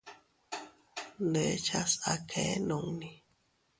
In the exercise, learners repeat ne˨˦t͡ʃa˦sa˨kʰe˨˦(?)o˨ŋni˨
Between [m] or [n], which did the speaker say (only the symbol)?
n